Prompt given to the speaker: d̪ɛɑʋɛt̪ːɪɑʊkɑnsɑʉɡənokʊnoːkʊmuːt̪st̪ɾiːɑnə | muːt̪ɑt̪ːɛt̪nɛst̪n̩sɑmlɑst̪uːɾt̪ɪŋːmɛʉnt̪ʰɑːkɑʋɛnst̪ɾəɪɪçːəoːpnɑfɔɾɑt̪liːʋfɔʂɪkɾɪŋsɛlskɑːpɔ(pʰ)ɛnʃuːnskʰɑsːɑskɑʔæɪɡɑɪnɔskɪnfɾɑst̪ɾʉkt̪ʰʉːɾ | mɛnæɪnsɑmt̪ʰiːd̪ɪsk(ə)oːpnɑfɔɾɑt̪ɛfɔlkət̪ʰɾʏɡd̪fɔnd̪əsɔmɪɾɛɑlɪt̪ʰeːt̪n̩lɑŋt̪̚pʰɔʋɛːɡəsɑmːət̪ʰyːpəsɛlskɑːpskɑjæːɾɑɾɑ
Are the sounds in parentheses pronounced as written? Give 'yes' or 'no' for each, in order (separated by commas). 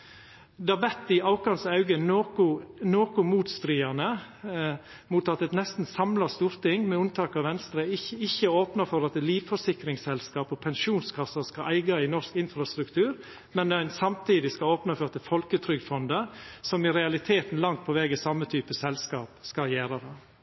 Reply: yes, no